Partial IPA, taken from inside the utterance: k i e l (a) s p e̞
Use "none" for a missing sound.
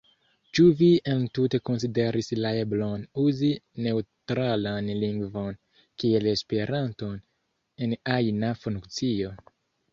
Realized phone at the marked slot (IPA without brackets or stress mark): e